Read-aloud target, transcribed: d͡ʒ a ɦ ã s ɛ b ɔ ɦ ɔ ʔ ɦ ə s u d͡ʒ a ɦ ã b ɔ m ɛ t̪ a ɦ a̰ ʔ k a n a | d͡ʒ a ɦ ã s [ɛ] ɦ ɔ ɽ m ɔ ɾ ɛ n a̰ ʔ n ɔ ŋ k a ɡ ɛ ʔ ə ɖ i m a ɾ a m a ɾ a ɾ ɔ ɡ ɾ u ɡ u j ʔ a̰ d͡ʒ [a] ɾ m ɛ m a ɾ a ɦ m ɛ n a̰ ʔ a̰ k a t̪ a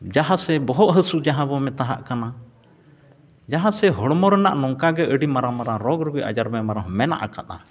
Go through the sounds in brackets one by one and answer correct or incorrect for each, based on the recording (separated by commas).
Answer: correct, correct